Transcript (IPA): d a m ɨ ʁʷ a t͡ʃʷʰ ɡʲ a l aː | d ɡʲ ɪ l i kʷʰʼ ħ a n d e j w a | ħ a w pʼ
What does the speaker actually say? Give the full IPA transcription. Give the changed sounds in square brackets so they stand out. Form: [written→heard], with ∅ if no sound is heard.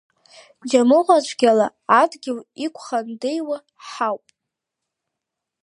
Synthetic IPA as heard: [d→d͡ʒ] a m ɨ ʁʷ a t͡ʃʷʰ ɡʲ a l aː | d ɡʲ ɪ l i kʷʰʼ [ħ→χ] a n d e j w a | ħ a w pʼ